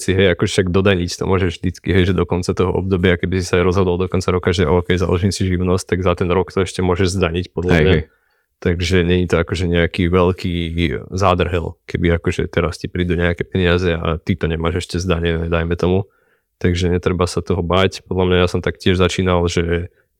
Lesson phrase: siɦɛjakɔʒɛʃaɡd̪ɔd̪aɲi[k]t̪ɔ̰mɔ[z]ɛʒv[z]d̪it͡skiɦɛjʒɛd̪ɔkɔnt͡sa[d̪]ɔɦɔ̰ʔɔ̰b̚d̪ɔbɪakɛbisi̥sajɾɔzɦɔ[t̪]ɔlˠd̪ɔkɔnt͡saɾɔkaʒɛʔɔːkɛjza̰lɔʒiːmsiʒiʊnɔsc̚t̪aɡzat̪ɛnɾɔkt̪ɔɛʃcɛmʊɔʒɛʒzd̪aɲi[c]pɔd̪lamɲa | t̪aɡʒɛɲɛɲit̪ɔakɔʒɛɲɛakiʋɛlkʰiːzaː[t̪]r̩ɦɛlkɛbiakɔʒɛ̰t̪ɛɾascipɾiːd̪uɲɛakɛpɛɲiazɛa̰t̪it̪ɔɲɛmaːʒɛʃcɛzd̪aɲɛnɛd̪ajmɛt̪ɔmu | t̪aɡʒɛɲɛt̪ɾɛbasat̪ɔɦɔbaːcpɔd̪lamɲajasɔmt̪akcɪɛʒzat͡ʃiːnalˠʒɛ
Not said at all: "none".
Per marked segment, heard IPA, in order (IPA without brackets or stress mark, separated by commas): c, ʒ, ʒ, t̪, d̪, c, d̪